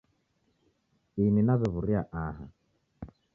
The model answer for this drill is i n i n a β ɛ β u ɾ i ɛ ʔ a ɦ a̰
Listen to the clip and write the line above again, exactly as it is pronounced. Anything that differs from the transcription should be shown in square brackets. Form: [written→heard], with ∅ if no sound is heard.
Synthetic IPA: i n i n a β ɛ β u ɾ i [ɛ→a] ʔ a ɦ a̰